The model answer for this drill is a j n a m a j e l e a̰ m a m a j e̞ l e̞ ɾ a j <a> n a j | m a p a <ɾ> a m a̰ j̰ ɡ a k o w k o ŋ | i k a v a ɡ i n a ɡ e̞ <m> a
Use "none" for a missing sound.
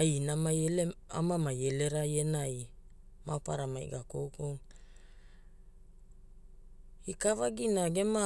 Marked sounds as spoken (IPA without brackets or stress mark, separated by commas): e, ɾ, m